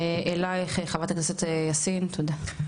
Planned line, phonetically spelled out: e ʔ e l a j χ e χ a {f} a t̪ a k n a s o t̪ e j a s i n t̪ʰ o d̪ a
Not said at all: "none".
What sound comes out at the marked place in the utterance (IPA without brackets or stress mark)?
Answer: v